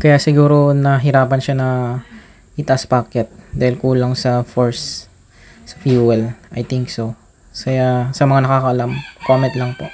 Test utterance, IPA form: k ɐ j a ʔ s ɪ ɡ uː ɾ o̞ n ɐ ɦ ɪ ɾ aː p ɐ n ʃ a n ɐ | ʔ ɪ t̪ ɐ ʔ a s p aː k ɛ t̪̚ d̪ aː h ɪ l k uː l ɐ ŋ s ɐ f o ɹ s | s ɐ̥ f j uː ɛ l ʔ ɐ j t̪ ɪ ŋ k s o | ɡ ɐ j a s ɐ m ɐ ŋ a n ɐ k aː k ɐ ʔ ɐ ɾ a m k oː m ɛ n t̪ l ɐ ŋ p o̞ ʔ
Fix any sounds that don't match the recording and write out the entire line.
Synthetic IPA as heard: k ɐ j a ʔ s ɪ ɡ uː ɾ o̞ n ɐ ɦ ɪ ɾ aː p ɐ n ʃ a n ɐ | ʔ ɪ t̪ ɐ ʔ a s p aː k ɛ t̪̚ d̪ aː h ɪ l k uː l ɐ ŋ s ɐ f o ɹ s | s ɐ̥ f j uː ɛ l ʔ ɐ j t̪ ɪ ŋ k s o | k ɐ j a s ɐ m ɐ ŋ a n ɐ k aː k ɐ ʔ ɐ l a m k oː m ɛ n t̪ l ɐ ŋ p o̞ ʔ